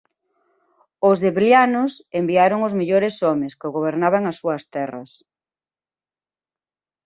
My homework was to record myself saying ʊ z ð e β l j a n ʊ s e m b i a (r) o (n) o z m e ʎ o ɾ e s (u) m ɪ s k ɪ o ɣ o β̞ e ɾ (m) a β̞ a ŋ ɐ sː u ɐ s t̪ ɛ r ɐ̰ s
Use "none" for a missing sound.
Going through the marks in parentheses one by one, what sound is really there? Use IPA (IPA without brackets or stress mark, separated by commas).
ɾ, ŋ, ɔ, n